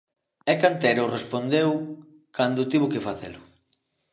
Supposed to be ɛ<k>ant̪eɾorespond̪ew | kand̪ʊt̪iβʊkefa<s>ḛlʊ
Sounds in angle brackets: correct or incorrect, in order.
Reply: correct, incorrect

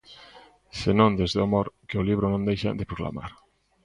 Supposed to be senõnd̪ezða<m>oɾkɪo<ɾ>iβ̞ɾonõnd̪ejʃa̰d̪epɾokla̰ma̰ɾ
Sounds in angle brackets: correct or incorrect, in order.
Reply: correct, incorrect

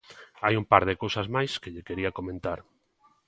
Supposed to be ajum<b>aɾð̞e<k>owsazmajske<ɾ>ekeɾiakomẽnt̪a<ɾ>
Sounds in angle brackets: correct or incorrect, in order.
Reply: incorrect, correct, incorrect, correct

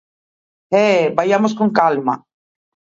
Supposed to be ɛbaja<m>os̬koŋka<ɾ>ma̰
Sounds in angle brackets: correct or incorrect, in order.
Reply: correct, incorrect

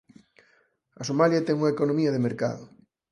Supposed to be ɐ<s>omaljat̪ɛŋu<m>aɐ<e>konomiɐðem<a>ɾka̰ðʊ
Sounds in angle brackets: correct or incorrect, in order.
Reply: correct, incorrect, correct, incorrect

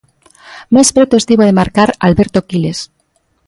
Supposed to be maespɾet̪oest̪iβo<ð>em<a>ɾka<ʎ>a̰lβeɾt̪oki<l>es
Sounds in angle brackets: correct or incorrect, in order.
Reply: correct, correct, incorrect, correct

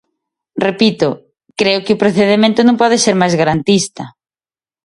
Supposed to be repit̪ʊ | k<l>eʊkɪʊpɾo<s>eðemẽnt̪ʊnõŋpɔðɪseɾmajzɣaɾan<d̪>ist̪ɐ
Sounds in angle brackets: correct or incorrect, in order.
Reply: incorrect, incorrect, incorrect

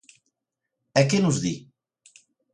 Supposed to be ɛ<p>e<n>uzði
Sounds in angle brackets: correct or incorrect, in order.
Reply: incorrect, correct

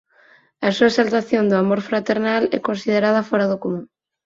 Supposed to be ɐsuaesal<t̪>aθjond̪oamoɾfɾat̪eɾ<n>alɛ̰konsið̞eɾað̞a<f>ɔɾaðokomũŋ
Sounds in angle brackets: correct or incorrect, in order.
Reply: correct, correct, correct

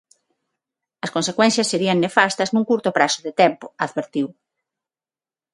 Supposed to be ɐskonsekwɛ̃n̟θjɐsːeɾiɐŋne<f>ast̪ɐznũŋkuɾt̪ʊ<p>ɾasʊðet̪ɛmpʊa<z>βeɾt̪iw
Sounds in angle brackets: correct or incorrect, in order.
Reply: correct, correct, incorrect

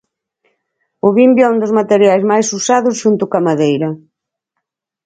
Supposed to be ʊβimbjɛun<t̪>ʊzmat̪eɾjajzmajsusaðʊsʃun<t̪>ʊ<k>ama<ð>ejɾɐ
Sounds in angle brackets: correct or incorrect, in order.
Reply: incorrect, correct, correct, correct

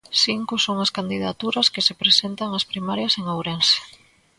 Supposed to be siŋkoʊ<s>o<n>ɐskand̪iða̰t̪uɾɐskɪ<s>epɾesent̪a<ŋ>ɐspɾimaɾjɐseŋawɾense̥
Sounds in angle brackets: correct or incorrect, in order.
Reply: correct, incorrect, correct, correct

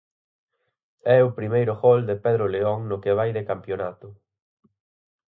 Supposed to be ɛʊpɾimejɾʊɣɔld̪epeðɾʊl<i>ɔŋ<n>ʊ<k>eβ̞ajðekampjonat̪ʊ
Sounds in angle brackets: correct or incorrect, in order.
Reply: incorrect, correct, correct

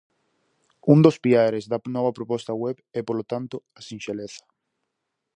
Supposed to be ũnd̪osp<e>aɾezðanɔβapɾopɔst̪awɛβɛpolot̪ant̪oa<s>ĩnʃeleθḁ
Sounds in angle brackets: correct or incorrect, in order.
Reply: incorrect, correct

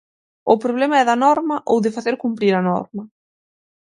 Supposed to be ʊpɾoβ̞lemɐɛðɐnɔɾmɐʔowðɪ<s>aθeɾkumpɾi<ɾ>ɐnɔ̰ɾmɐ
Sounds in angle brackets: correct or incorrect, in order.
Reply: incorrect, correct

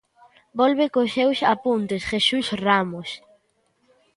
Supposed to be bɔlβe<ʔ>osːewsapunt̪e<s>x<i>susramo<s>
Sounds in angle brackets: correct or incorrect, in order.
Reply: incorrect, correct, incorrect, correct

